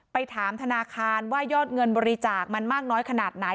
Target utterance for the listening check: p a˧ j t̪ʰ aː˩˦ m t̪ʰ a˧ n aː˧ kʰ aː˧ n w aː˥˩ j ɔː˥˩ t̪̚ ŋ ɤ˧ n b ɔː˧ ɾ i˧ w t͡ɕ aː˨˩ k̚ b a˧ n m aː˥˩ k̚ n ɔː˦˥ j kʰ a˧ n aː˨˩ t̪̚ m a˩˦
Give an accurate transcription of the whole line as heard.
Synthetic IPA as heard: p a˧ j t̪ʰ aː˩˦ m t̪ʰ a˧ n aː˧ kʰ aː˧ n w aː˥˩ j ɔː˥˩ t̪̚ ŋ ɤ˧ n b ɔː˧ ɾ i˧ t͡ɕ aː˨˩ k̚ m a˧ n m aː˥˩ k̚ n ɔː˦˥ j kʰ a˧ n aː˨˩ t̪̚ n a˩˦